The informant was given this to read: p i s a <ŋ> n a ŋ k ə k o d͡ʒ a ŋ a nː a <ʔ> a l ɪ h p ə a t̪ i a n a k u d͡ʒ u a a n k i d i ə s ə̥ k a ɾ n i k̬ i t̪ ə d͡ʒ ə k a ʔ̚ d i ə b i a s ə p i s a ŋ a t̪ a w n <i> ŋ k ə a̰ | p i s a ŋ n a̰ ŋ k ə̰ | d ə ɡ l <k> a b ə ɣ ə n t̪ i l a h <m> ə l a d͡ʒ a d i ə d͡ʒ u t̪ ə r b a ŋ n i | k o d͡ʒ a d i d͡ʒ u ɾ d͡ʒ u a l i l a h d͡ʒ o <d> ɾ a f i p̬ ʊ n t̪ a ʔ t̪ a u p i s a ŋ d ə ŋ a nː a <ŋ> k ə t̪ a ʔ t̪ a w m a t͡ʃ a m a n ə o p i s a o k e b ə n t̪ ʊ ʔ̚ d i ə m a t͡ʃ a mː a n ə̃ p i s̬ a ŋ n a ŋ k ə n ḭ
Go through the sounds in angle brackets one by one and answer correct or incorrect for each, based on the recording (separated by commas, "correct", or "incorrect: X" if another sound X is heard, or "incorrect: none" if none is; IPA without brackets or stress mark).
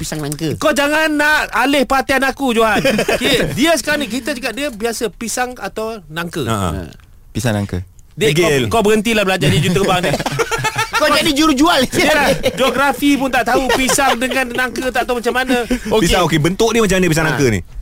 correct, correct, incorrect: a, correct, incorrect: b, incorrect: ɡ, correct